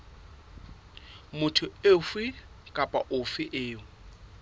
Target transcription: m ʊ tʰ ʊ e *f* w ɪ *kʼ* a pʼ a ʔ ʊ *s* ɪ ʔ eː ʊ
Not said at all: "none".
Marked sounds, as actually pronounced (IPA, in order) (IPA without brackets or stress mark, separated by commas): f, kʼ, f